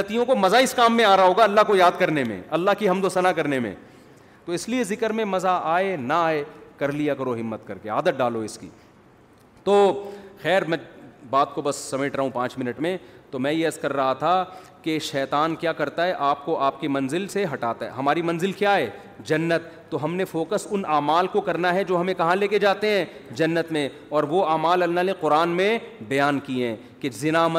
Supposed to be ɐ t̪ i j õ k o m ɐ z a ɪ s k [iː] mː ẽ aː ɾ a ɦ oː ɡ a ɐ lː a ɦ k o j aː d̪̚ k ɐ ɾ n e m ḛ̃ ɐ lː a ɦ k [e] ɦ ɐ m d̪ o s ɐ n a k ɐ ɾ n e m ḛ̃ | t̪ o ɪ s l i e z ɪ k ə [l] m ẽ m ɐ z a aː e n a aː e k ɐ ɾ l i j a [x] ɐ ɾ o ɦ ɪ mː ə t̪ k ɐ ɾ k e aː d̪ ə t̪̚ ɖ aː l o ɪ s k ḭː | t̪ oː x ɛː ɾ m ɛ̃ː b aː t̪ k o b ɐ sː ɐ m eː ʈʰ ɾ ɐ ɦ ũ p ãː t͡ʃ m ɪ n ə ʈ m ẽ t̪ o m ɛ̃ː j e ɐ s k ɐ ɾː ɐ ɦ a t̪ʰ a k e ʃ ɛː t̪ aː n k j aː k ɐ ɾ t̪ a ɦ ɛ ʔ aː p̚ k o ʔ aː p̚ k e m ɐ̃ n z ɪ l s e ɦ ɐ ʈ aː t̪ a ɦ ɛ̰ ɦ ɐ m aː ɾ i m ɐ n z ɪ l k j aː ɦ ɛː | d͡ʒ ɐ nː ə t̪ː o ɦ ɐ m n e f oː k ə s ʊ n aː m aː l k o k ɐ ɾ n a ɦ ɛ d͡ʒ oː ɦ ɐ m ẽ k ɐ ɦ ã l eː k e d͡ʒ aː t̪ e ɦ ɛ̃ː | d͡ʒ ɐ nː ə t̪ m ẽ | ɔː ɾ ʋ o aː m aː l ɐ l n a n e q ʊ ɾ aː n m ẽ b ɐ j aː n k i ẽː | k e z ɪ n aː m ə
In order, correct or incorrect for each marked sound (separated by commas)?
incorrect, incorrect, incorrect, incorrect